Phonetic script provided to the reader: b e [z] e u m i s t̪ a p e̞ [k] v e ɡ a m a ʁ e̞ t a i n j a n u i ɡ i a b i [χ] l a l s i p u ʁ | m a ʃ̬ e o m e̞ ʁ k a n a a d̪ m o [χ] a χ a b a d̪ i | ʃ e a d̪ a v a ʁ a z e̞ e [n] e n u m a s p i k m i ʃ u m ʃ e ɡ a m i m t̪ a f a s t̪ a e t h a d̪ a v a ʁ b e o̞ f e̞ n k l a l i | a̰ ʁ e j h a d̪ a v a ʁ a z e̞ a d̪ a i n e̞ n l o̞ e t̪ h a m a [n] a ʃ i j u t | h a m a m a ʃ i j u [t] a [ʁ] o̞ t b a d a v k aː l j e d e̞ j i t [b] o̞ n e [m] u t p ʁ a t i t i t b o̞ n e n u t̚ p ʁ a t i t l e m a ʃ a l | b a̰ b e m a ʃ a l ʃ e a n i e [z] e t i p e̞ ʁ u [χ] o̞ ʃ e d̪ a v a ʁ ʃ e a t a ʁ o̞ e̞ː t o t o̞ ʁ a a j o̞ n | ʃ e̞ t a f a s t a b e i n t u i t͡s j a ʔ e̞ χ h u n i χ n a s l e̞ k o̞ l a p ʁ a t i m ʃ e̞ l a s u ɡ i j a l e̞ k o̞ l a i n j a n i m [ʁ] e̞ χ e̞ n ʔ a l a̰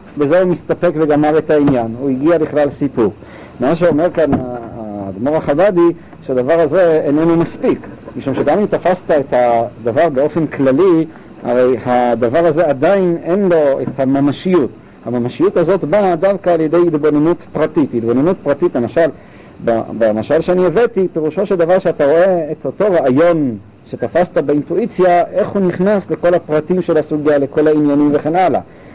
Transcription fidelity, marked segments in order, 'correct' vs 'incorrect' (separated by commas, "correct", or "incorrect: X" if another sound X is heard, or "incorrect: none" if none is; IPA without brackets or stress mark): correct, correct, correct, incorrect: ʁ, correct, incorrect: m, correct, incorrect: z, correct, incorrect: n, incorrect: v, incorrect: ʃ, incorrect: v